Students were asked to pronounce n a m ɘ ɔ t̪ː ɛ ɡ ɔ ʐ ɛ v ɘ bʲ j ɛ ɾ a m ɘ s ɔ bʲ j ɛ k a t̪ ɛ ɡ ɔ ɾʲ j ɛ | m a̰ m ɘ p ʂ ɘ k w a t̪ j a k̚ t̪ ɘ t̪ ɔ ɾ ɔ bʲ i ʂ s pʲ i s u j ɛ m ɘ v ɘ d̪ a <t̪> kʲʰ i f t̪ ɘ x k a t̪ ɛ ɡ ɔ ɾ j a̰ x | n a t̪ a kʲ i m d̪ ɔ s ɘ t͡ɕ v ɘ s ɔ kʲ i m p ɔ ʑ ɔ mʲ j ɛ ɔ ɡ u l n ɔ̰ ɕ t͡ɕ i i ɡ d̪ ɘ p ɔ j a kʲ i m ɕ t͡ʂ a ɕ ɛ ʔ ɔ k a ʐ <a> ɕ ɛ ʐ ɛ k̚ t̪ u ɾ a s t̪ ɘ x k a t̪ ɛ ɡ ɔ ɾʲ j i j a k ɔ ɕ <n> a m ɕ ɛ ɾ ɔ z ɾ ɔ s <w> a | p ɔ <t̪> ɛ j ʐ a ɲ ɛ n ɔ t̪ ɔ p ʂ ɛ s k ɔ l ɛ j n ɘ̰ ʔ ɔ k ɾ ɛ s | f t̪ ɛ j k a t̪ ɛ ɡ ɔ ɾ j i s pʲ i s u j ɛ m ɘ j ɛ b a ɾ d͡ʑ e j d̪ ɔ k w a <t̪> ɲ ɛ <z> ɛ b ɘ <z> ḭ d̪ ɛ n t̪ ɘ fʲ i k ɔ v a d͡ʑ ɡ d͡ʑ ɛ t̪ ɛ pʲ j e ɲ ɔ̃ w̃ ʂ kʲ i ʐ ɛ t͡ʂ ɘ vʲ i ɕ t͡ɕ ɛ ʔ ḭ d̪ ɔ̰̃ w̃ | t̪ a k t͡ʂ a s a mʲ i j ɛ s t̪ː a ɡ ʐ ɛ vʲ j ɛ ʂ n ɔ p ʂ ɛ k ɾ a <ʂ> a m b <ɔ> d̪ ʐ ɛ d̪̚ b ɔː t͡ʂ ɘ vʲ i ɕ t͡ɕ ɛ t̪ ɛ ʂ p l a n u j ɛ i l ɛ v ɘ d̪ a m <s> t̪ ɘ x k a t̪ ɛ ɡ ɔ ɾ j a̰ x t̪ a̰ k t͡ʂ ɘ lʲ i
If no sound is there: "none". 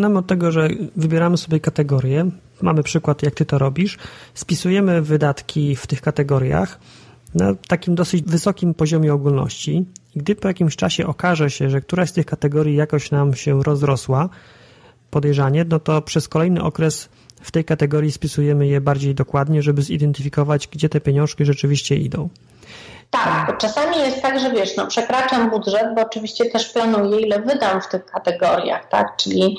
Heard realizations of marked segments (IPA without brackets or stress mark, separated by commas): t̪, ɛ, n, w, d̪, d̪, ʐ, z, t͡ʂ, u, f